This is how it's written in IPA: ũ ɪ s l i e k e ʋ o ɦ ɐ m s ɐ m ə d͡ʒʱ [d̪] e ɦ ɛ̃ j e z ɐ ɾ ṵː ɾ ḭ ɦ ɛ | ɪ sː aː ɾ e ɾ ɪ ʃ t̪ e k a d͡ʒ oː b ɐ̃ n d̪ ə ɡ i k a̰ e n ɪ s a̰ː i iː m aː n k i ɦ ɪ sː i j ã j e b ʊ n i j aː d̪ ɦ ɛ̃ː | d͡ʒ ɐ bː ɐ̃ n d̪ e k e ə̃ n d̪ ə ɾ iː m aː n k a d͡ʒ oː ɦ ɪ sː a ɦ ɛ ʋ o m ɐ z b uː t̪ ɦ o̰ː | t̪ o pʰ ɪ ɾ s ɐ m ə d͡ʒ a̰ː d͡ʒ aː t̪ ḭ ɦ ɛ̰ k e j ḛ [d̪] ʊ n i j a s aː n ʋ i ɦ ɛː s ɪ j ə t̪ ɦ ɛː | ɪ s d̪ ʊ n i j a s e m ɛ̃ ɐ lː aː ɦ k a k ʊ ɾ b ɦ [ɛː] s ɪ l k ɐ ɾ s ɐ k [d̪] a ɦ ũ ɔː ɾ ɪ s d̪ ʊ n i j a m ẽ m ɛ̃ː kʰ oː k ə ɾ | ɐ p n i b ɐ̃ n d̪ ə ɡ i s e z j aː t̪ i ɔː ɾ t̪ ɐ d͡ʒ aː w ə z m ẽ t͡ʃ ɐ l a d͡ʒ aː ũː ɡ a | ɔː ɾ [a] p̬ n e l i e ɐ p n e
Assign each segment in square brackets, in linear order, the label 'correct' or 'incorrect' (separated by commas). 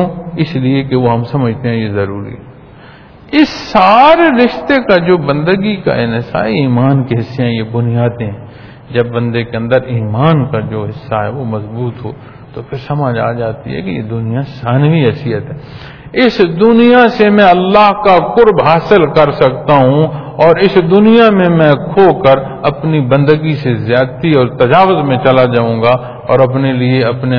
incorrect, correct, incorrect, incorrect, incorrect